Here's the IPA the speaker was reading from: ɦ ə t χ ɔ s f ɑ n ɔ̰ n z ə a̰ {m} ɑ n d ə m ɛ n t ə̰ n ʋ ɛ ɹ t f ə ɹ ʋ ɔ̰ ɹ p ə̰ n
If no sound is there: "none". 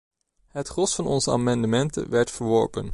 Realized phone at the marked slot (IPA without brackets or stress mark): m